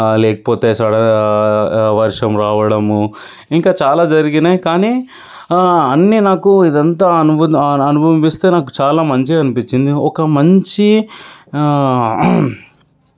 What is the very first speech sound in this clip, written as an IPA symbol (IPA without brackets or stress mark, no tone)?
l